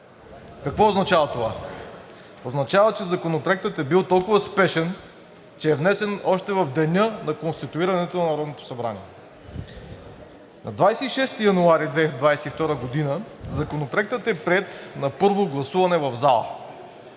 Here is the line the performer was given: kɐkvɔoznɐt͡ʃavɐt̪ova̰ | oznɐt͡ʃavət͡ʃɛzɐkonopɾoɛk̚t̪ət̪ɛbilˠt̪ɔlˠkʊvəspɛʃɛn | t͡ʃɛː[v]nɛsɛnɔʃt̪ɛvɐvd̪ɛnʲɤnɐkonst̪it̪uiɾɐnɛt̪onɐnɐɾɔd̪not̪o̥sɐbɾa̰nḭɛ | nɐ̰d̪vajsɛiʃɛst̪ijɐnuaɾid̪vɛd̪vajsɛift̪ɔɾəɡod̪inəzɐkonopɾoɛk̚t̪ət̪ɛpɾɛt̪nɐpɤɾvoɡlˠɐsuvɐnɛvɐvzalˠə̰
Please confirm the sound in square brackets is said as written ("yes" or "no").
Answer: yes